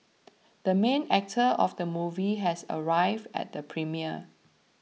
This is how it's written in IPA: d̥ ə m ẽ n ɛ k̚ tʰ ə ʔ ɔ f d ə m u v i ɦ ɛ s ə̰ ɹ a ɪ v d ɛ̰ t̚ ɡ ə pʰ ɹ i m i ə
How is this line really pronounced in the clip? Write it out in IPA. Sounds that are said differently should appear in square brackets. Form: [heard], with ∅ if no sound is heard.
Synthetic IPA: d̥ ə m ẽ n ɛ k̚ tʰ ə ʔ ɔ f d ə m u v i ɦ ɛ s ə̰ ɹ a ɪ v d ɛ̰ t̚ [d] ə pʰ ɹ i m i ə